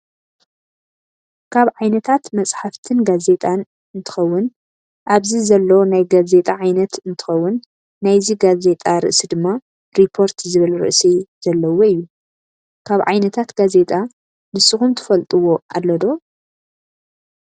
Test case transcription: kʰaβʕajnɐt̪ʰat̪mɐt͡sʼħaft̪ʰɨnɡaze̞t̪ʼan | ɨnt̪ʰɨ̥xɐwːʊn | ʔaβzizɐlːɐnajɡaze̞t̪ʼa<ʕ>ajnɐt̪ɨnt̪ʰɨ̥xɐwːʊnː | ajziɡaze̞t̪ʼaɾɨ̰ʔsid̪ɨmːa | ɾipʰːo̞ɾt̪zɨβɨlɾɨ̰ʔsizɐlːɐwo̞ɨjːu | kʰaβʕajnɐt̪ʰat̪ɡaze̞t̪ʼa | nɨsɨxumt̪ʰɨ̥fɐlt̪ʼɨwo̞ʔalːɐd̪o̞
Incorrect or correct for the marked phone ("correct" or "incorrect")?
correct